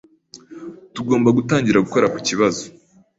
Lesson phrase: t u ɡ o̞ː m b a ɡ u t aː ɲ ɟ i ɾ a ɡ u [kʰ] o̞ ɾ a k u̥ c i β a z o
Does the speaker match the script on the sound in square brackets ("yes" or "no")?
no